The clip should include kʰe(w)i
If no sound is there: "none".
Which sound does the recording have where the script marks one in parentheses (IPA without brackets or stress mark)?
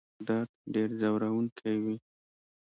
w